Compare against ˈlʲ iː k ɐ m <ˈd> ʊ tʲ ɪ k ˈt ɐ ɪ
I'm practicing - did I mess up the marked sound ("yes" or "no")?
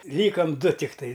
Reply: no